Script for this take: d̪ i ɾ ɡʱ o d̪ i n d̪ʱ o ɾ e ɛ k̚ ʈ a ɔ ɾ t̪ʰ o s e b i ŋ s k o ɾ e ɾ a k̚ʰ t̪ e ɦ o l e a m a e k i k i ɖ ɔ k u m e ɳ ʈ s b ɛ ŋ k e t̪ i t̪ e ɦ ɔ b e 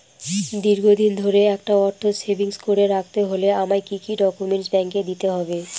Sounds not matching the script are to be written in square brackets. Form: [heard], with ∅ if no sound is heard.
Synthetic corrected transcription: d̪ i ɾ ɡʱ o d̪ i n d̪ʱ o ɾ e ɛ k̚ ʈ a ɔ ɾ t̪ʰ o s e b i ŋ s k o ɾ e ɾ a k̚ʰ t̪ e ɦ o l e a m a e k i k i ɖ ɔ k u m e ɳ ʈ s b ɛ ŋ k e [d̪] i t̪ e ɦ ɔ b e